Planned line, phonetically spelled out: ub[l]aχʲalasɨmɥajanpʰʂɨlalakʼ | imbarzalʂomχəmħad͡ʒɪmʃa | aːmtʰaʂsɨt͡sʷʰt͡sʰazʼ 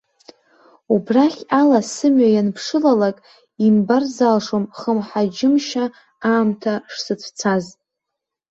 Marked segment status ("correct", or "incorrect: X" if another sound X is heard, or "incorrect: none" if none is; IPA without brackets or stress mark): incorrect: r